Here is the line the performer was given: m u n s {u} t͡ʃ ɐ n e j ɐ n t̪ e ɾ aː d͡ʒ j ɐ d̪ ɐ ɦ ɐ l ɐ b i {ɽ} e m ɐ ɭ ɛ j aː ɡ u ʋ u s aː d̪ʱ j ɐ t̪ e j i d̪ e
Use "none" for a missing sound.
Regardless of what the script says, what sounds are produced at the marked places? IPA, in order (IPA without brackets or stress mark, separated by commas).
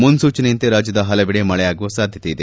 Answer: uː, ɽ